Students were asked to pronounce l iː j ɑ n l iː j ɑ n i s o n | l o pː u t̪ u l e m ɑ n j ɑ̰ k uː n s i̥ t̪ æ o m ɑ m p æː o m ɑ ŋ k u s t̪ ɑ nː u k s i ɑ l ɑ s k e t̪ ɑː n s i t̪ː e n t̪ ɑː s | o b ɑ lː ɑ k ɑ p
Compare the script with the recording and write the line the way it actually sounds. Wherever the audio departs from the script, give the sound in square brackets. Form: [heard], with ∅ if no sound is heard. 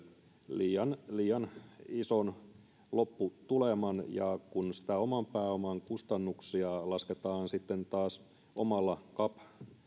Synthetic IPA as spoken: l iː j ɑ n l iː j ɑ n i s o n | l o pː u t̪ u l e m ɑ n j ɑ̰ k [u] n s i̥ t̪ æ o m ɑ m p æː o m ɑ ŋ k u s t̪ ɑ nː u k s i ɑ l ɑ s k e t̪ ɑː n s i t̪ː e n t̪ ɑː s | o [m] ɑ lː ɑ k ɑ p